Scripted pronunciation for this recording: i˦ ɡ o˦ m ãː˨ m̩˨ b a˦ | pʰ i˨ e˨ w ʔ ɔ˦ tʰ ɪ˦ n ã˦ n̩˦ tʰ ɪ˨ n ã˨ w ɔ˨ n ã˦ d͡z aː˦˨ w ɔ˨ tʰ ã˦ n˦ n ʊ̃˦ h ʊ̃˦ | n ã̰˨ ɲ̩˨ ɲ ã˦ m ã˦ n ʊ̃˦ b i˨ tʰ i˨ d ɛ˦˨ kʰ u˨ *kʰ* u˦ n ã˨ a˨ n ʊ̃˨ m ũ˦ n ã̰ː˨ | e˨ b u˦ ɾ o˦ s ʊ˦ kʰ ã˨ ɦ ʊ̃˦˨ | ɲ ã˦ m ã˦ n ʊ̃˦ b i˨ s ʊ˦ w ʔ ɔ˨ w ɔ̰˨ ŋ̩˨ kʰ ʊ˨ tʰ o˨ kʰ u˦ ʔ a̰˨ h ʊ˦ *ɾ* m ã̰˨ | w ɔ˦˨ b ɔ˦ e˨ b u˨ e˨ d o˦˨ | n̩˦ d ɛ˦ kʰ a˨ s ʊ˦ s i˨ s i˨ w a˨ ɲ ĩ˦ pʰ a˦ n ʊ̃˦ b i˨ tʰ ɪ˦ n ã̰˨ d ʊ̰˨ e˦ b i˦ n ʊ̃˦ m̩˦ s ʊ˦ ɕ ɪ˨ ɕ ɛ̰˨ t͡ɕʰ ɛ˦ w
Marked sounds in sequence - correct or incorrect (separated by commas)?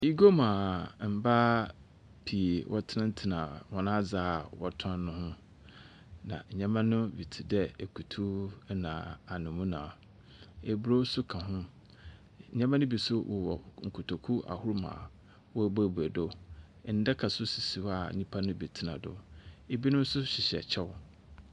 incorrect, correct